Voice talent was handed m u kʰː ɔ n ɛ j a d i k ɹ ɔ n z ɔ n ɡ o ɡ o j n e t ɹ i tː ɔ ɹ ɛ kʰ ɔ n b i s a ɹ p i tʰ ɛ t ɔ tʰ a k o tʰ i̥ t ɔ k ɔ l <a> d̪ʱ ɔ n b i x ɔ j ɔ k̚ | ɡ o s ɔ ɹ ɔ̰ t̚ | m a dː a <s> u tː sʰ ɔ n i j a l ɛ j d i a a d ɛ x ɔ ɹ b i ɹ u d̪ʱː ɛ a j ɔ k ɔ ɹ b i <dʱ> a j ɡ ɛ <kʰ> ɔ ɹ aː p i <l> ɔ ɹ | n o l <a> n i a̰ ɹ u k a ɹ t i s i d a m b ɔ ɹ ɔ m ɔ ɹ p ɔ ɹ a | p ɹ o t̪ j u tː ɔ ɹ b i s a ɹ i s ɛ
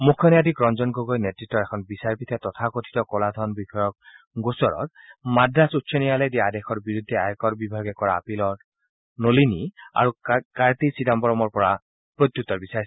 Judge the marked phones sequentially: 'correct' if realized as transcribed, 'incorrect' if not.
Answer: correct, correct, incorrect: bʱ, incorrect: k, correct, incorrect: i

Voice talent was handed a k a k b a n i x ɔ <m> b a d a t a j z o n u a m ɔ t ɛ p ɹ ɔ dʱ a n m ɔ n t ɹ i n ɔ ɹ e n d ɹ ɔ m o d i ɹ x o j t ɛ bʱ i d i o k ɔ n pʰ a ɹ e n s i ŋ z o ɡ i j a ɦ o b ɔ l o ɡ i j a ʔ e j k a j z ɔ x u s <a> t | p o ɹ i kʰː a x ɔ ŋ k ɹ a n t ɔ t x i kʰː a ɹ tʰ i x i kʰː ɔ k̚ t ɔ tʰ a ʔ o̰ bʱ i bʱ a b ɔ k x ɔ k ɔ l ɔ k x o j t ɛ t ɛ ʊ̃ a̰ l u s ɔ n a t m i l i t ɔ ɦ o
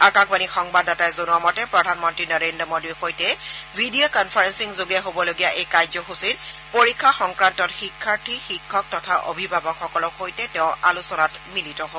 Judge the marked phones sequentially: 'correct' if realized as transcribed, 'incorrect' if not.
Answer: incorrect: ŋ, incorrect: i

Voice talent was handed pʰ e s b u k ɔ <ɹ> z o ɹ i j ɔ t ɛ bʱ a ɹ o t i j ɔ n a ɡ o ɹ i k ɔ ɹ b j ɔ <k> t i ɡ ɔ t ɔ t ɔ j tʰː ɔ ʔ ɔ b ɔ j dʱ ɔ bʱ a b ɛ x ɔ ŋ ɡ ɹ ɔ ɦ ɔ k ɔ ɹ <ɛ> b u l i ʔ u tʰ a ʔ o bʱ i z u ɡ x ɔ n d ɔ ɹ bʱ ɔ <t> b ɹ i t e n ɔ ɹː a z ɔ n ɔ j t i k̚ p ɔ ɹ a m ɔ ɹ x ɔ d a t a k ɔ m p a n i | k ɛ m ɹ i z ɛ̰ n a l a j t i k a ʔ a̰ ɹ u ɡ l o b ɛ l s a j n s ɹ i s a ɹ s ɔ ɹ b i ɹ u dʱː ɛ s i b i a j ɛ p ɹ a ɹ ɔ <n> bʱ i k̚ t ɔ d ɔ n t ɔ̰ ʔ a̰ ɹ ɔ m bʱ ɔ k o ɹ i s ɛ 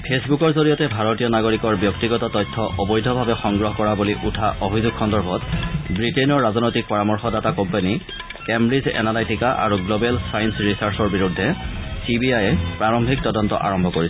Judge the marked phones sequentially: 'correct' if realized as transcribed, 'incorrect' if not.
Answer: correct, correct, incorrect: a, correct, incorrect: m

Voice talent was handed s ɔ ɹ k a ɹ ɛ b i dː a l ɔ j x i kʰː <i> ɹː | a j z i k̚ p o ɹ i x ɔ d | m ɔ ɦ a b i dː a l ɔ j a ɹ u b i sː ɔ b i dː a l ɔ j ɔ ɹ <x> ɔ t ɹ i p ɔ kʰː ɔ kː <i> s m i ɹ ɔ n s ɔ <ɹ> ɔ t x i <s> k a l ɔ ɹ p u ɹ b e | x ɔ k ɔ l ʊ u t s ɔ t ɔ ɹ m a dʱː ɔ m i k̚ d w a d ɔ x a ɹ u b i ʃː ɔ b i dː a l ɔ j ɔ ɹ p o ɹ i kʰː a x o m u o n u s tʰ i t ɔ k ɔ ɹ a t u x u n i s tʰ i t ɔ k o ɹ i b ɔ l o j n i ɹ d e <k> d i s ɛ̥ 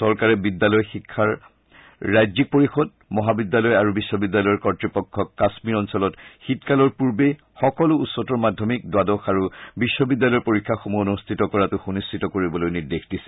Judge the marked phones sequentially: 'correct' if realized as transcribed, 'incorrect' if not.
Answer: incorrect: a, incorrect: k, incorrect: a, incorrect: l, incorrect: t, incorrect: x

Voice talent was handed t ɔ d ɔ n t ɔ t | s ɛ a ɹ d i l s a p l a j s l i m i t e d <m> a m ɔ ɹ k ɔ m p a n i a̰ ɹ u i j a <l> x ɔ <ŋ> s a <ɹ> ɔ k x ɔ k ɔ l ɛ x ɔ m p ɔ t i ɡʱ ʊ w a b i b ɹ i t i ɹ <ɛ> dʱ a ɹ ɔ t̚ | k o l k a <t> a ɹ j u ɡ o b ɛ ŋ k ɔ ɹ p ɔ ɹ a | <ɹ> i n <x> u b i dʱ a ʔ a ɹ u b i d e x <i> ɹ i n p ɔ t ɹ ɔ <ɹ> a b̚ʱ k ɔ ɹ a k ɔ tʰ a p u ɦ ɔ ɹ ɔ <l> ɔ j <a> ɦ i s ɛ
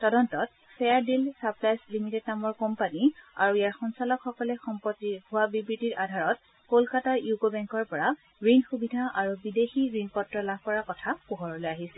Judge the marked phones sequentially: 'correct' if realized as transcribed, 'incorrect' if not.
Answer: incorrect: n, incorrect: ɹ, incorrect: n, incorrect: l, incorrect: a, correct, correct, correct, correct, incorrect: l, correct, correct

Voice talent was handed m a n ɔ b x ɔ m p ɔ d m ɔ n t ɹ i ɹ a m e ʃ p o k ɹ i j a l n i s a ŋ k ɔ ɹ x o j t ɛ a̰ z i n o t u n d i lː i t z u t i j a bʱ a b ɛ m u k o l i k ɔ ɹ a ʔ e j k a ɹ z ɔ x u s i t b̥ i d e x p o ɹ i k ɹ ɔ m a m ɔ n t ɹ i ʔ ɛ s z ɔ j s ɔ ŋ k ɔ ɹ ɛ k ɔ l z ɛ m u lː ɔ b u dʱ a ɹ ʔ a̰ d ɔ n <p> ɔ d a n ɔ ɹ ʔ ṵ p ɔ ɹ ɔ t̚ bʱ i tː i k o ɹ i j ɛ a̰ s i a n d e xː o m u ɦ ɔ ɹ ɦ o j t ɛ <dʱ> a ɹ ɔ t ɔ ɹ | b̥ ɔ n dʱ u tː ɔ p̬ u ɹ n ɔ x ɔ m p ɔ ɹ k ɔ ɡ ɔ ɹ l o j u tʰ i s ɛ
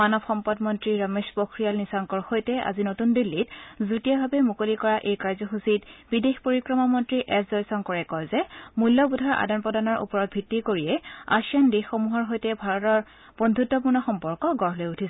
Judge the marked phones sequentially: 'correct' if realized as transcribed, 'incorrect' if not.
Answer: correct, incorrect: bʱ

